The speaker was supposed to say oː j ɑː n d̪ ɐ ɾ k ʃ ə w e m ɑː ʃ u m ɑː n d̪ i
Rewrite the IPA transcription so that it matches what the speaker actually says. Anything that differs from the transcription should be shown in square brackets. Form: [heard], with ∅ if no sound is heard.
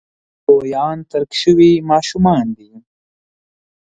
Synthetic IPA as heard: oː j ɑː n [t̪] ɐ ɾ k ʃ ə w [i] m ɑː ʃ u m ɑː n d̪ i